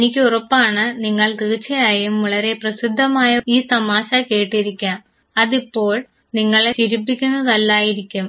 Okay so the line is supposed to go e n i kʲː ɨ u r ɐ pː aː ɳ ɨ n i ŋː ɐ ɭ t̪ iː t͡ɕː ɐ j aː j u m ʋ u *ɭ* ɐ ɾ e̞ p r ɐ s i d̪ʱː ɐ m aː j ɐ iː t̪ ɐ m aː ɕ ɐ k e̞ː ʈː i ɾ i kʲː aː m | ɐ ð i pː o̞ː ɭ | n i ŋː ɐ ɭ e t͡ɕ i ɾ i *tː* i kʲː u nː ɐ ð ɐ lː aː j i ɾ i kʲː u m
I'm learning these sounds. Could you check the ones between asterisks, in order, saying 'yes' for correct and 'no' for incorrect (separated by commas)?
yes, no